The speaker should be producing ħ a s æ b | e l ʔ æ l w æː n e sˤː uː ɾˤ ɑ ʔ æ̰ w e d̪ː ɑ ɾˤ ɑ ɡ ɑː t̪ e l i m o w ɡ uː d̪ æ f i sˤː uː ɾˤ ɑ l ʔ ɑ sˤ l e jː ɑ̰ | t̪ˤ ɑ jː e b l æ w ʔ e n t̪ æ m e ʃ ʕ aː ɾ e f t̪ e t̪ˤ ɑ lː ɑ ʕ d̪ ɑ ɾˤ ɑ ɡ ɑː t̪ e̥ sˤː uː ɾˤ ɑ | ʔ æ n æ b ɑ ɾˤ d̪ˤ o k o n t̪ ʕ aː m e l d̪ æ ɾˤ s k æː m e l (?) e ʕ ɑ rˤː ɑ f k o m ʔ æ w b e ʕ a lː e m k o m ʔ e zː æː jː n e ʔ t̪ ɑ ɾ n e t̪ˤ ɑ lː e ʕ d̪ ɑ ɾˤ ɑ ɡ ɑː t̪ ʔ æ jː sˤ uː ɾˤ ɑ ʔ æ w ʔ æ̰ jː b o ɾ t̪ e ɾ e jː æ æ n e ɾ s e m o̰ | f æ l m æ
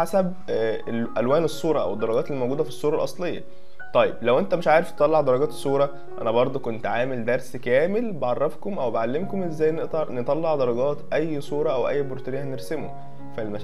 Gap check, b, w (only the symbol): b